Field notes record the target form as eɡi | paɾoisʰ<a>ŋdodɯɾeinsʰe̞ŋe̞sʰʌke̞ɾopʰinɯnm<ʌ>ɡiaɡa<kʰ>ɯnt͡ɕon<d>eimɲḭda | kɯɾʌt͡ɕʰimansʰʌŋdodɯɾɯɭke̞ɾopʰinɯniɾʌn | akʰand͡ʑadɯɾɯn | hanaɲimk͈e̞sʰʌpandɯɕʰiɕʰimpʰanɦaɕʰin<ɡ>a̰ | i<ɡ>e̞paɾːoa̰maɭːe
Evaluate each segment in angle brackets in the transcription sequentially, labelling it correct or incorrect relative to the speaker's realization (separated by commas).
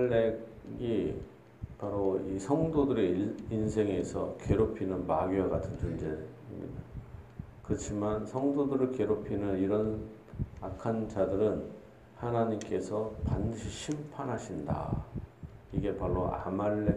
incorrect, incorrect, incorrect, incorrect, incorrect, correct